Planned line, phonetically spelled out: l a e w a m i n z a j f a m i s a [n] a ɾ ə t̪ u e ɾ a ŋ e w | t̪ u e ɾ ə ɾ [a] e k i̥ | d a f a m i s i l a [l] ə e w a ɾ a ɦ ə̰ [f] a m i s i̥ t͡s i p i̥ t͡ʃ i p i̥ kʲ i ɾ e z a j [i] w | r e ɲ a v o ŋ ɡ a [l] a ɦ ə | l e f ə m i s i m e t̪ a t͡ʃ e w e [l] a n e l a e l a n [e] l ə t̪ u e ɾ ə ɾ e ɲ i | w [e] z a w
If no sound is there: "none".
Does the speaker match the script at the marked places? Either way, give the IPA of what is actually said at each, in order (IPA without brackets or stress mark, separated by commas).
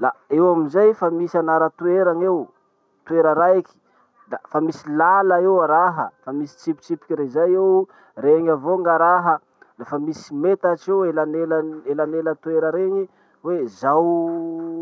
n, a, l, f, e, ɾ, l, e, e